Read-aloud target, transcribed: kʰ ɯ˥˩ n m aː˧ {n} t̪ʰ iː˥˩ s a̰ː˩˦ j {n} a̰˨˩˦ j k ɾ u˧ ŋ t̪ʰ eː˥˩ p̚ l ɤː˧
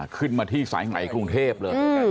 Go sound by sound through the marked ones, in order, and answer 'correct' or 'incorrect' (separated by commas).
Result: incorrect, incorrect